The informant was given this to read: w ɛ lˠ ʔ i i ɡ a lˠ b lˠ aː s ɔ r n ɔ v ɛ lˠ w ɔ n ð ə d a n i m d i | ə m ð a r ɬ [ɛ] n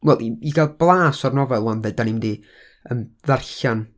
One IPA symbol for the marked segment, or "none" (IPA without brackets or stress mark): a